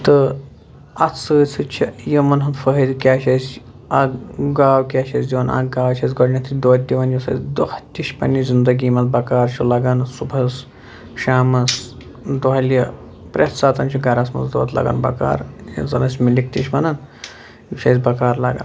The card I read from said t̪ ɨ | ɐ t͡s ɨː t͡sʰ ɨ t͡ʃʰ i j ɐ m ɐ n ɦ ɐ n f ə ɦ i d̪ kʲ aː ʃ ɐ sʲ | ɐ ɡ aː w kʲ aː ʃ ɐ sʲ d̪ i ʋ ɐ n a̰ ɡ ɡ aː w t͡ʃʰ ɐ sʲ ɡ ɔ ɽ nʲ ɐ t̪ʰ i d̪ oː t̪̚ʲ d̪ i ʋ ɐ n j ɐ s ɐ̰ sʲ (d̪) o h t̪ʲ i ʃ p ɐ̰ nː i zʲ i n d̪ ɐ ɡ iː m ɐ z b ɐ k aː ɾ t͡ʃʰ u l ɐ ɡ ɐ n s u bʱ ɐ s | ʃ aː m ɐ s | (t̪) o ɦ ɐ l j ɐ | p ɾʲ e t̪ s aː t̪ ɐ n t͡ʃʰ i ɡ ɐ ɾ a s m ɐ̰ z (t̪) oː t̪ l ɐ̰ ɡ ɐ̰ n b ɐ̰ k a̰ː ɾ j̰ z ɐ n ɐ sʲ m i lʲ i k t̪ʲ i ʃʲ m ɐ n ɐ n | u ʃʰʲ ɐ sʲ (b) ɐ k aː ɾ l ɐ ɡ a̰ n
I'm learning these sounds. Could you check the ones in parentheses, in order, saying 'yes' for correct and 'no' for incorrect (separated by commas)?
yes, no, no, yes